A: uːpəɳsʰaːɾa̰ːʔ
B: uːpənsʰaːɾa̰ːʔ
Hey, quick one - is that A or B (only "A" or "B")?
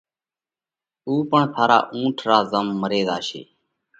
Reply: A